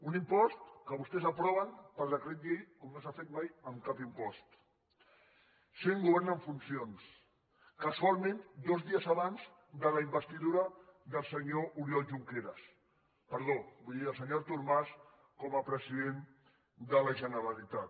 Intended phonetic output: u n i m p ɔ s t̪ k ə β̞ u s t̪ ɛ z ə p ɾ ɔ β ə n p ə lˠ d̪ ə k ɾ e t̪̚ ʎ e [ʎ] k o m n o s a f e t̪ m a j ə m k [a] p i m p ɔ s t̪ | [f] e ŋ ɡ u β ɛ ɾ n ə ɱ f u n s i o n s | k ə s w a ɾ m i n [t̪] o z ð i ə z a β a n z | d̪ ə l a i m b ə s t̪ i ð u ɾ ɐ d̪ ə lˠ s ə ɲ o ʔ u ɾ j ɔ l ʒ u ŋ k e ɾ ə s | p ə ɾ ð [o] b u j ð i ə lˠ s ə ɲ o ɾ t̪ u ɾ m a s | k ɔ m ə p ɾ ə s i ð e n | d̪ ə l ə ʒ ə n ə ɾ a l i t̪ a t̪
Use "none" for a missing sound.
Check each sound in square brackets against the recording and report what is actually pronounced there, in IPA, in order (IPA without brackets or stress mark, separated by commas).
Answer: j, a, s, d̪, o